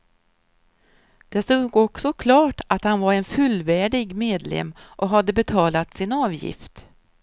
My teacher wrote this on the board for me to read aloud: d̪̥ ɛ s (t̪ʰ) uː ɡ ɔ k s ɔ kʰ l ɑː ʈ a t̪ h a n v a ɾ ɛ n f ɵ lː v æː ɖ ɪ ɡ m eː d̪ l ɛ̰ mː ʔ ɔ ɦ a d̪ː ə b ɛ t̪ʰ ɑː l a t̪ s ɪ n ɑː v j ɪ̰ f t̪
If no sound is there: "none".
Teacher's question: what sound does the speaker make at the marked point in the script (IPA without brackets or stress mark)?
t̪